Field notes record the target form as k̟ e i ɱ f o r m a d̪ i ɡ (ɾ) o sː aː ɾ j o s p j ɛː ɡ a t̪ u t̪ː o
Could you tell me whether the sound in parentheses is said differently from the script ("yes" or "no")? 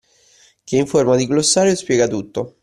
yes